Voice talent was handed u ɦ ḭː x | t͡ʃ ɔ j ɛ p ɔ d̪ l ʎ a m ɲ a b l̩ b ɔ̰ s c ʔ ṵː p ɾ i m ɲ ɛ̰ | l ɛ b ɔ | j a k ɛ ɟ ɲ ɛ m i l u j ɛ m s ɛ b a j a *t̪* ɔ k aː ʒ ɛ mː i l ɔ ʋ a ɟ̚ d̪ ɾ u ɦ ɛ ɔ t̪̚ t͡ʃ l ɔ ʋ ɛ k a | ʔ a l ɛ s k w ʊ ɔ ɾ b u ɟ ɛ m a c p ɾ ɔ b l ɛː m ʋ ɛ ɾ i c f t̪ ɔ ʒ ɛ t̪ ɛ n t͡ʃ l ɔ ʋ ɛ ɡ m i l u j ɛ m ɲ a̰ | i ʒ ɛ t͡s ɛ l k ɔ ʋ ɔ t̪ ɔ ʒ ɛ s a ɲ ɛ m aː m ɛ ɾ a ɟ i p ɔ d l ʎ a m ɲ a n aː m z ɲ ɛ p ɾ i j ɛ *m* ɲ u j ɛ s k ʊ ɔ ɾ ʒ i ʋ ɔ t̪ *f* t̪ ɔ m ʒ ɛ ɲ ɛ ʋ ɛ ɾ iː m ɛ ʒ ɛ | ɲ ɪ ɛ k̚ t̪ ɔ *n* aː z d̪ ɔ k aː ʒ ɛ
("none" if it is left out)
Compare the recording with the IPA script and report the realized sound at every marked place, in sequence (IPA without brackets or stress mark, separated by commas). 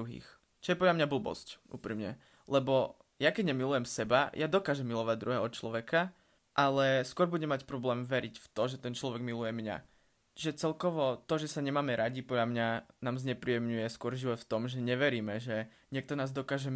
d̪, m, f, n